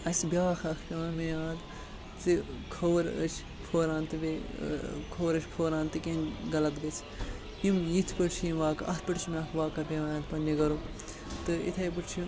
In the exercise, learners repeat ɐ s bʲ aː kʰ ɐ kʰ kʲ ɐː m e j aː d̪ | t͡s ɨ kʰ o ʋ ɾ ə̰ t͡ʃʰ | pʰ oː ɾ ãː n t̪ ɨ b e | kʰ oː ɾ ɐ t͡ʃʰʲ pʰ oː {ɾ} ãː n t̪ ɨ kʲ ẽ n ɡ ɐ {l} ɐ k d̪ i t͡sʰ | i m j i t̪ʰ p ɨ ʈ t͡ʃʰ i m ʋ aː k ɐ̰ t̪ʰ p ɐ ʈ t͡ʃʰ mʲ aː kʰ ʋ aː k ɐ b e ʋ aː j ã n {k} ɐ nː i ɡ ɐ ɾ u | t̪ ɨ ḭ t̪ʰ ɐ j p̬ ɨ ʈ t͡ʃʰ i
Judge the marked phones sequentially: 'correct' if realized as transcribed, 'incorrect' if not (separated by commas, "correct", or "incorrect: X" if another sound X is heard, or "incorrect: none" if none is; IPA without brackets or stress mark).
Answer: correct, correct, incorrect: p